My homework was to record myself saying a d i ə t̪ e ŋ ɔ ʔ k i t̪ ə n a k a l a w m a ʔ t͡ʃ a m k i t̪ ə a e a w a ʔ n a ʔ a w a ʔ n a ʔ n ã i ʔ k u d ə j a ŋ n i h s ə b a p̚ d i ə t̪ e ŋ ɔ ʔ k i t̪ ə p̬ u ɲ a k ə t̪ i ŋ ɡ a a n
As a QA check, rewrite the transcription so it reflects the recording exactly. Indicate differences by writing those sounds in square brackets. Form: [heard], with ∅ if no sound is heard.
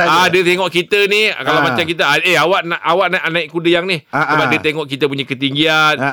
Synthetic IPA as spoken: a d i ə t̪ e ŋ ɔ ʔ k i t̪ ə n [i] k a l a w m a [∅] t͡ʃ a m k i t̪ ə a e a w a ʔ n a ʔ a w a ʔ n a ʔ n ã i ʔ k u d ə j a ŋ n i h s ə b a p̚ d i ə t̪ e ŋ ɔ ʔ k i t̪ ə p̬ u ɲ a k ə t̪ i ŋ ɡ [i] a n